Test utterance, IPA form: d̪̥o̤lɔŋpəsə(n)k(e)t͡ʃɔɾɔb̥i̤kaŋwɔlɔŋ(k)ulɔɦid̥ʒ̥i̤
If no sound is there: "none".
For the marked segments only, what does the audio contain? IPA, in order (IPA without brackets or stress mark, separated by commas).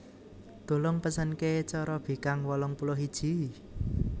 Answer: n, e, p